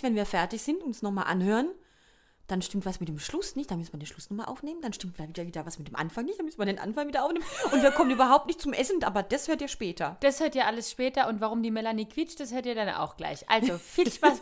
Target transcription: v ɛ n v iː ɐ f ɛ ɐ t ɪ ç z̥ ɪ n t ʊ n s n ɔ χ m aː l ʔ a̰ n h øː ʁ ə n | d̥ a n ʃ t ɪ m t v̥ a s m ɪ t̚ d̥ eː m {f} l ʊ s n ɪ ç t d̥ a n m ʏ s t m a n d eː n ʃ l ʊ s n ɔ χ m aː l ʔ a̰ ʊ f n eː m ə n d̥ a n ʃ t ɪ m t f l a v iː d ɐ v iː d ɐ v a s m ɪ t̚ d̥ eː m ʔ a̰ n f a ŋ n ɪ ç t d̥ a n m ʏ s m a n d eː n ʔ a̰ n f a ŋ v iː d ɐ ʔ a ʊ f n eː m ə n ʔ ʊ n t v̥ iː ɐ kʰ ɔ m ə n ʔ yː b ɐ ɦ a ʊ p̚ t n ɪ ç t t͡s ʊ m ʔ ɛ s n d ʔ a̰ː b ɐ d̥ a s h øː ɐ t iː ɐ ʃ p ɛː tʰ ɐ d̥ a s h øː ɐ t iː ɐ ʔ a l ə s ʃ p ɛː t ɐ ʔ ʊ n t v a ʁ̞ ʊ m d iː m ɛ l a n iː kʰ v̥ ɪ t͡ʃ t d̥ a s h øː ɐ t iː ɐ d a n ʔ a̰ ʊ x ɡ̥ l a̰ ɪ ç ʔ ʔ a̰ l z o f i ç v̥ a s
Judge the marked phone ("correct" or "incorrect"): incorrect